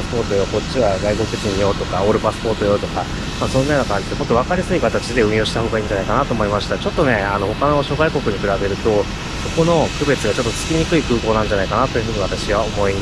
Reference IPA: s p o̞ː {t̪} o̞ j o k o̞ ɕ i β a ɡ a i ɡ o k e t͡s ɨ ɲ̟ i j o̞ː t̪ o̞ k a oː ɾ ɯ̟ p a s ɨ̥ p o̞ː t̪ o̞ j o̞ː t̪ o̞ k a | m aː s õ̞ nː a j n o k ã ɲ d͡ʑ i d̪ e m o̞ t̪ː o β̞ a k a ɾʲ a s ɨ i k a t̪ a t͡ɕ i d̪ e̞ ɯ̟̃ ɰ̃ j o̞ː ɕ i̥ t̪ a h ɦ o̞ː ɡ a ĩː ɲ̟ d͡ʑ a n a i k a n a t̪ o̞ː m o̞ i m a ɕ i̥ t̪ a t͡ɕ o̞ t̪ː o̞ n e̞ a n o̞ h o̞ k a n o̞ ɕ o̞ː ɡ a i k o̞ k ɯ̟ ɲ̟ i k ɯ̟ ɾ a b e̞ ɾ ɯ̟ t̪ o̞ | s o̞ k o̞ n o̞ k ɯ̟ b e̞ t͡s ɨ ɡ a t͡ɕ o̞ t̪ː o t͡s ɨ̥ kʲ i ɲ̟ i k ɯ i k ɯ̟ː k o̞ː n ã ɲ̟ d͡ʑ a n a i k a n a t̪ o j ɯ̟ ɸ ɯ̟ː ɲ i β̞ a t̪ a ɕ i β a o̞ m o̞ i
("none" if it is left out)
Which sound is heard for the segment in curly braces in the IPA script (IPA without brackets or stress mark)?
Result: t̪